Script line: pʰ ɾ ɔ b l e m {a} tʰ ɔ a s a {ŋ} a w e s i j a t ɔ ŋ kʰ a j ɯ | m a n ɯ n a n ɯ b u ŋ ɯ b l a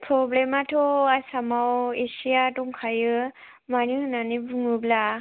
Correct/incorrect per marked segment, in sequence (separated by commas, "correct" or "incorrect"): correct, incorrect